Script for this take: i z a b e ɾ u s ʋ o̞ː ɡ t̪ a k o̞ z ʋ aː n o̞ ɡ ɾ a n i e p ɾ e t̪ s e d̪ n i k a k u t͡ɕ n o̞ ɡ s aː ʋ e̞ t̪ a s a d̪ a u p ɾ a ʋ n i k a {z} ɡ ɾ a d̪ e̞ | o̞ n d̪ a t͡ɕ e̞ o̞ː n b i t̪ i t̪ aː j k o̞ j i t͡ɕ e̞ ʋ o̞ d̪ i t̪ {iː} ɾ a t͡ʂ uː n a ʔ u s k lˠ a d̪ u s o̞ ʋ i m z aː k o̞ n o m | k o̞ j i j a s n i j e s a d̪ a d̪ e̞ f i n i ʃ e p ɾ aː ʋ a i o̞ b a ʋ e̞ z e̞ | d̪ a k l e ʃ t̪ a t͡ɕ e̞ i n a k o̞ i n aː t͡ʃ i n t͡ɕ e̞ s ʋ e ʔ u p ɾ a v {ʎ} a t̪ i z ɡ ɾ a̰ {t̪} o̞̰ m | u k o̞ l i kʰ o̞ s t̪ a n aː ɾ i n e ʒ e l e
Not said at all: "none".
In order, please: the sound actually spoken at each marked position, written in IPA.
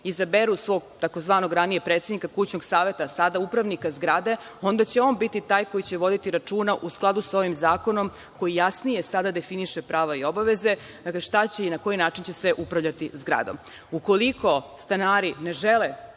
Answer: z, i, ʎ, d̪

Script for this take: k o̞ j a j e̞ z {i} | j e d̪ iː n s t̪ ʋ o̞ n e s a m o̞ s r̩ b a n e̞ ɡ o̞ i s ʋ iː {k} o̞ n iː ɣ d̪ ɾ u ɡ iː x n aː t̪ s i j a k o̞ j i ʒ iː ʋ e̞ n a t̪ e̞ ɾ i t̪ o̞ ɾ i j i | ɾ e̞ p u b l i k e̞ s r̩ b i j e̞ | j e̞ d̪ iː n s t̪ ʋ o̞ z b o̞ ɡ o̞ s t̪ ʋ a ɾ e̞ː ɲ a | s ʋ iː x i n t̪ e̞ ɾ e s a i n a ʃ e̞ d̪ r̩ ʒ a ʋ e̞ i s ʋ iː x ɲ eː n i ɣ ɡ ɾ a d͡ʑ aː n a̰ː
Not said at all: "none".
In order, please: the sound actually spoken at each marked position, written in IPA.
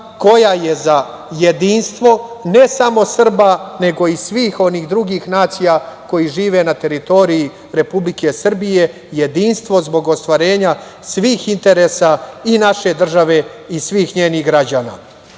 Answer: a, x

